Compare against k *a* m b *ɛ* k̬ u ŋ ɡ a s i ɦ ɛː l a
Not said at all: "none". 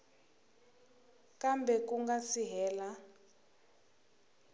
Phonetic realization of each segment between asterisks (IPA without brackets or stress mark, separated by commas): a, ɛ